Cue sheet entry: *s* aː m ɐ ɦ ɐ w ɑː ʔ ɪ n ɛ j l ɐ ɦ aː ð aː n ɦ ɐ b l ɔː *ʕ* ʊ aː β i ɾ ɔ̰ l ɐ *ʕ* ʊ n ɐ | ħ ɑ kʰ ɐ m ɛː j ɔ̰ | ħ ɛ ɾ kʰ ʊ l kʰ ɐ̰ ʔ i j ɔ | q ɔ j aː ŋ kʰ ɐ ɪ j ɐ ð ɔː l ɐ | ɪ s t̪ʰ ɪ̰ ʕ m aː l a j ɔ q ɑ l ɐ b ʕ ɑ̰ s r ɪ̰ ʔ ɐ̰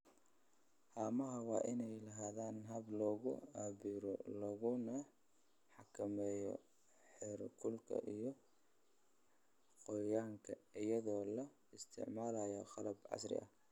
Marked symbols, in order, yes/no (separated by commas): no, no, no